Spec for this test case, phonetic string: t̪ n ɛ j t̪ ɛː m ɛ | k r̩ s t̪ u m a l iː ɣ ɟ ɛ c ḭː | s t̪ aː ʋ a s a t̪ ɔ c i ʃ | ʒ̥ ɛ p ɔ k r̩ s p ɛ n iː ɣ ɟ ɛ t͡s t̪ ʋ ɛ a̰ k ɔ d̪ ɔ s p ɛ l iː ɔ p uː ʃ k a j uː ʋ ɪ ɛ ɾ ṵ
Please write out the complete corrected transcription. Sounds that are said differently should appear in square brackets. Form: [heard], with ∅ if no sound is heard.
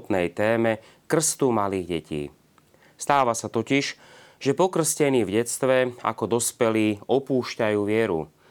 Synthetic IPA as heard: t̪ n ɛ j t̪ ɛː m ɛ | k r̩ s t̪ u m a l iː ɣ ɟ ɛ c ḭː | s t̪ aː ʋ a s a t̪ ɔ c i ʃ | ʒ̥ ɛ p ɔ k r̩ s [c] ɛ n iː [v] ɟ ɛ t͡s t̪ ʋ ɛ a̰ k ɔ d̪ ɔ s p ɛ l iː ɔ p uː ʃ [c] a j uː ʋ ɪ ɛ ɾ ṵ